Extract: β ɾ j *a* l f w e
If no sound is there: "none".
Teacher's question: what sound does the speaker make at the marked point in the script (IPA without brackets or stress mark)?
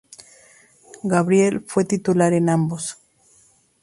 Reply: e